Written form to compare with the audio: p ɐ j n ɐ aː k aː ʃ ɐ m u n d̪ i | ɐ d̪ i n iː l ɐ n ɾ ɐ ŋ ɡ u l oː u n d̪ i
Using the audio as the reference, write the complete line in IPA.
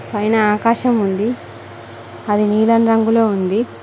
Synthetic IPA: p ɐ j n ɐ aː k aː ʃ ɐ m u n d̪ i | ɐ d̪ i n iː l ɐ n ɾ ɐ ŋ ɡ u l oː u n d̪ i

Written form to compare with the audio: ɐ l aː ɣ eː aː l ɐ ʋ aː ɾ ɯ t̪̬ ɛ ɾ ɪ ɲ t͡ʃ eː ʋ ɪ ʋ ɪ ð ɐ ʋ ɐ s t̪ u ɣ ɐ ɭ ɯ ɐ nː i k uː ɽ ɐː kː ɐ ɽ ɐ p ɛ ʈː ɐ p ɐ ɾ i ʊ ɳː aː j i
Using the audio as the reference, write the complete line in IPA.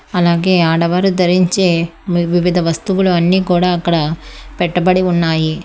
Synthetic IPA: ɐ l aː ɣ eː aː ɽ ɐ ʋ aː ɾ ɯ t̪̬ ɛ ɾ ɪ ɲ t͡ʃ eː ʋ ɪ ʋ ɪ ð ɐ ʋ ɐ s t̪ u ɣ ɐ ɭ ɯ ɐ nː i k uː ɽ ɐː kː ɐ ɽ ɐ p ɛ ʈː ɐ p ɐ ɽ i ʊ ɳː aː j i

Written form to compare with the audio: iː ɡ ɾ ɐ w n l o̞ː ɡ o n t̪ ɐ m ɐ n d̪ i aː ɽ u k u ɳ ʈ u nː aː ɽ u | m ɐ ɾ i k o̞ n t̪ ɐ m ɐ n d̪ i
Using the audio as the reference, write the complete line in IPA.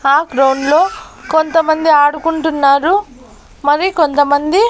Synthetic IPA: aː ɡ ɾ ɐ w n l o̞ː k o n t̪ ɐ m ɐ n d̪ i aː ɽ u k u ɳ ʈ u nː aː ɾ u | m ɐ ɾ i k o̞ n t̪ ɐ m ɐ n d̪ i

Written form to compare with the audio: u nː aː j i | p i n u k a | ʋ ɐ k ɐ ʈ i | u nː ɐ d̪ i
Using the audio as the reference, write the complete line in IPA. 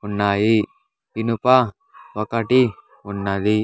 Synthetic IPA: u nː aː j i | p i n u p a | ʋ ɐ k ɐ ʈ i | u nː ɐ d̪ i

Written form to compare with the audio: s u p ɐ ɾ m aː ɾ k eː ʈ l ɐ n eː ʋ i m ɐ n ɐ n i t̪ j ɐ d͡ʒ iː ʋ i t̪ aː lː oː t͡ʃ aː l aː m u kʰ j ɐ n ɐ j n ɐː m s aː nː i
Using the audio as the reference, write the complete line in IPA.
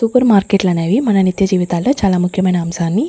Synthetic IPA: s u p ɐ ɾ m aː ɾ k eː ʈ l ɐ n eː ʋ i m ɐ n ɐ n i t̪ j ɐ d͡ʒ iː ʋ i t̪ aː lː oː t͡ʃ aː l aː m u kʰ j ɐ m ɐ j n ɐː m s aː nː i

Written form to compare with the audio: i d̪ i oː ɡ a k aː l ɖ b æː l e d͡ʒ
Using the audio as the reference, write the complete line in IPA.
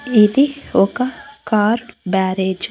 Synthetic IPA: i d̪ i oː k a k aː ɾ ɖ b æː ɾ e d͡ʒ

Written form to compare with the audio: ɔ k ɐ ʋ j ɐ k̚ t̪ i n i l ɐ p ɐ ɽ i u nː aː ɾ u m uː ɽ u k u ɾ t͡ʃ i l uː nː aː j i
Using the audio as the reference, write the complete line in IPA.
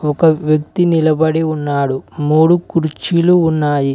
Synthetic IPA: ɔ k ɐ ʋ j ɐ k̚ t̪ i n i l ɐ b ɐ ɽ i u nː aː ɽ u m uː ɽ u k u ɾ t͡ʃ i l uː nː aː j i

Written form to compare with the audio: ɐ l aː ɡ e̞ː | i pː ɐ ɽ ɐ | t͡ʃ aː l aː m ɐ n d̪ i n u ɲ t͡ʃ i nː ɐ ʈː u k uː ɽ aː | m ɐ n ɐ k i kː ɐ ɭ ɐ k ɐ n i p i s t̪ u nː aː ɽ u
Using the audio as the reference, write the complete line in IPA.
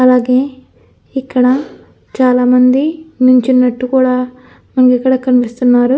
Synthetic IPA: ɐ l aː ɡ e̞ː | i kː ɐ ɽ ɐ | t͡ʃ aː l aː m ɐ n d̪ i n u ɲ t͡ʃ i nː ɐ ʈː u k uː ɽ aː | m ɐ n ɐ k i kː ɐ ɽ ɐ k ɐ n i p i s t̪ u nː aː ɾ u

